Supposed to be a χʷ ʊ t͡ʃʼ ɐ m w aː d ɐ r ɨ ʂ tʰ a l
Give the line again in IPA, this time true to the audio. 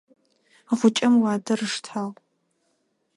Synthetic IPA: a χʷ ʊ t͡ʃʼ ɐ m w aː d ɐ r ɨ ʂ tʰ a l